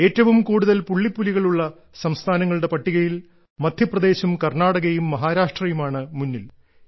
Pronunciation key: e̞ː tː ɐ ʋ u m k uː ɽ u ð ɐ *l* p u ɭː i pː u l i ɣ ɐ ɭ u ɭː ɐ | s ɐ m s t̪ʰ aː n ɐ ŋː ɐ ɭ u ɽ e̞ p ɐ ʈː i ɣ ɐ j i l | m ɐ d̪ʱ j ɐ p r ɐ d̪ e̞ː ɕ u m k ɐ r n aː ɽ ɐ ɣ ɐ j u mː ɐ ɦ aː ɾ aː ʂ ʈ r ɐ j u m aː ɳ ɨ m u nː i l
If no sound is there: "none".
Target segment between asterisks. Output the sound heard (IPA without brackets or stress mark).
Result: l